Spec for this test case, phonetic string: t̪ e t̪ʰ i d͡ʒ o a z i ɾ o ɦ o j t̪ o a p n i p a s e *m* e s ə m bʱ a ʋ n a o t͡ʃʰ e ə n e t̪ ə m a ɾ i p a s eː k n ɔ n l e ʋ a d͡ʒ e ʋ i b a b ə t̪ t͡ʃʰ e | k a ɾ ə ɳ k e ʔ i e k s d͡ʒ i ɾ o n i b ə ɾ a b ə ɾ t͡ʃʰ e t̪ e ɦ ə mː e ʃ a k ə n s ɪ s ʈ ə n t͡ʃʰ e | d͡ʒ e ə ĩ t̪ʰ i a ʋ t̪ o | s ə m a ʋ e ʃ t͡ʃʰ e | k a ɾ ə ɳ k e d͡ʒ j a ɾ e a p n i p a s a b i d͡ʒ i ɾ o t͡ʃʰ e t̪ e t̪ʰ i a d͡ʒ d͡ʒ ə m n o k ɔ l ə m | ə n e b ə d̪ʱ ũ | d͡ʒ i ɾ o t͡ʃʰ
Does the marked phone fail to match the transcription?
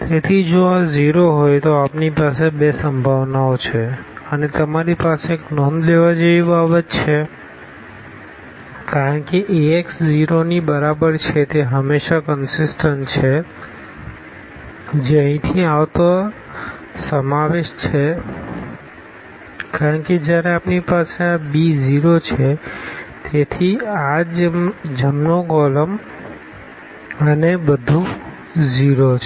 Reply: yes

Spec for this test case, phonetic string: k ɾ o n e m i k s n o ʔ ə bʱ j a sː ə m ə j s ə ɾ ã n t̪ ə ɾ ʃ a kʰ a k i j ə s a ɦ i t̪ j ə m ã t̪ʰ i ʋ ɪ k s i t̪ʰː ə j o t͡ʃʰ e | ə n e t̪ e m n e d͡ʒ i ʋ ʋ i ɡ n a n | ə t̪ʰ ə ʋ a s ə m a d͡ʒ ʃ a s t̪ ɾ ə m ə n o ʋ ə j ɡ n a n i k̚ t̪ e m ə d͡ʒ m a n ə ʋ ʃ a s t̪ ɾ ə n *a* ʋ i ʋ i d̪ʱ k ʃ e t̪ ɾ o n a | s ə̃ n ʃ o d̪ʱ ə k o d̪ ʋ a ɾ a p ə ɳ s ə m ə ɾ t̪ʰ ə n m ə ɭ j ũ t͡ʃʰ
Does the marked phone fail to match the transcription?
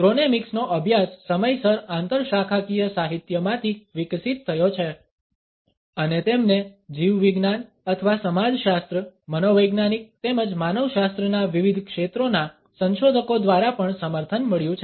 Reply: no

